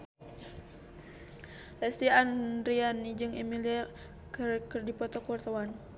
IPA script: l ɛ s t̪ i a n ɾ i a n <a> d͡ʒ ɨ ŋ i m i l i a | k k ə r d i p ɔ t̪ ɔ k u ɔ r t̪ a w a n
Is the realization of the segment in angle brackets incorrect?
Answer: yes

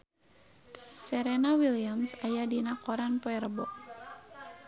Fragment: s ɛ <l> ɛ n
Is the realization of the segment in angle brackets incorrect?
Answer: yes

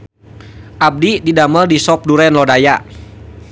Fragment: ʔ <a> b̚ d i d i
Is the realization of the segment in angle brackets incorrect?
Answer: no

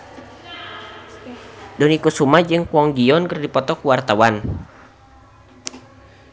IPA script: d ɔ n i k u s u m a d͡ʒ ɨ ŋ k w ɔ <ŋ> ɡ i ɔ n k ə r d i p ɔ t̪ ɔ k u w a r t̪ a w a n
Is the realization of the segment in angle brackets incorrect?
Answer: no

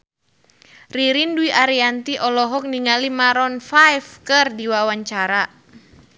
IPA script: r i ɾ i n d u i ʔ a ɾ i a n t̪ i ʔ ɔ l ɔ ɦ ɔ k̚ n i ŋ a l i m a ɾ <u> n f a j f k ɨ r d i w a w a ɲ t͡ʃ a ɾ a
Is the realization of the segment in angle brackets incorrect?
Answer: yes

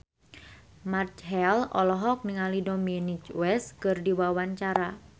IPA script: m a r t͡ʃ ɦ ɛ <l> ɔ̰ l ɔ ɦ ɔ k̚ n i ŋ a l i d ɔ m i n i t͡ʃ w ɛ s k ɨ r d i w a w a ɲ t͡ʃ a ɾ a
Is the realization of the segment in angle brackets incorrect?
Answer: no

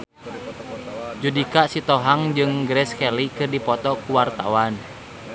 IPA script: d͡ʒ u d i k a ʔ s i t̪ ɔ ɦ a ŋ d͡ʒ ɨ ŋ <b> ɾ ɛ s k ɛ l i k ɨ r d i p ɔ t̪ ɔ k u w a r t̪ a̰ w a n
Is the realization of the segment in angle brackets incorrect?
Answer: yes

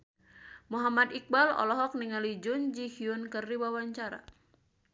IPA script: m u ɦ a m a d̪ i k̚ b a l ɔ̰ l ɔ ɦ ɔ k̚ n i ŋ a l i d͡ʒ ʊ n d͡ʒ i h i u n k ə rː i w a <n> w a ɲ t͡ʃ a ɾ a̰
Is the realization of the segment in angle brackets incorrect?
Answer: yes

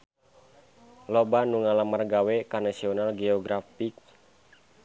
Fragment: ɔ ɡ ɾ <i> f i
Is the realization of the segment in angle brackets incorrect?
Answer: yes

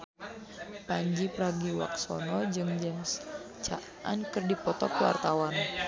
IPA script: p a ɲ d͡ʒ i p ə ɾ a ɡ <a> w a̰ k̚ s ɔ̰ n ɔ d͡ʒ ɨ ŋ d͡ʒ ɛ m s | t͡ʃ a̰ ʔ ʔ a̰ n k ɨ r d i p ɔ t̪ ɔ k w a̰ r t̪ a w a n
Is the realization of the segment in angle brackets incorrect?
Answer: yes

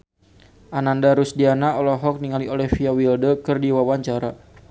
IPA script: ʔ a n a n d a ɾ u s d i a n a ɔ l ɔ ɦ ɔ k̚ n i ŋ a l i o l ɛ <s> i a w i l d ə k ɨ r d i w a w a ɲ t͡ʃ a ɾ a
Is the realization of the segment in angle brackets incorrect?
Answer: yes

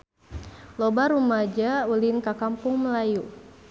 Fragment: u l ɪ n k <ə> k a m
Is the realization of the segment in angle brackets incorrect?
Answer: yes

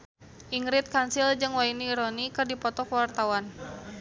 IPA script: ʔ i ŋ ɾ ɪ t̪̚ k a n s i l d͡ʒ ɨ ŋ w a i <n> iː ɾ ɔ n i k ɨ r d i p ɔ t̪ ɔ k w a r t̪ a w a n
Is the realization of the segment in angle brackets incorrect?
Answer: no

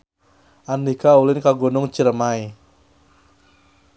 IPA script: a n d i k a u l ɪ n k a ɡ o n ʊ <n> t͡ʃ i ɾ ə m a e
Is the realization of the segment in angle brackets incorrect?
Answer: yes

